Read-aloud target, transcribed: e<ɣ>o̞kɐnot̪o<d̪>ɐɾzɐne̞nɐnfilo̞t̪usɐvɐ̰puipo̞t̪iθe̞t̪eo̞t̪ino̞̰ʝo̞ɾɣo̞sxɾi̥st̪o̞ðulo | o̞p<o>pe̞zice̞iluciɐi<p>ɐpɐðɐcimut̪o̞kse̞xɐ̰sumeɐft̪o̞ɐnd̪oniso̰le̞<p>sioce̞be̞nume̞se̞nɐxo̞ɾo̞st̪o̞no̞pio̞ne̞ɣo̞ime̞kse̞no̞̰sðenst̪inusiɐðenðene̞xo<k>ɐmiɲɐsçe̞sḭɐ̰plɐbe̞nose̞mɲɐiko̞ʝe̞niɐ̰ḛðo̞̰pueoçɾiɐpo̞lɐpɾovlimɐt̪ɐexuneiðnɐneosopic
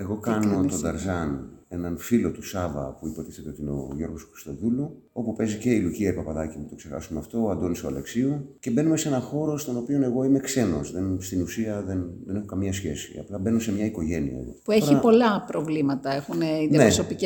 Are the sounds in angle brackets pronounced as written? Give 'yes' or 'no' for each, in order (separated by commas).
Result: yes, yes, no, yes, no, yes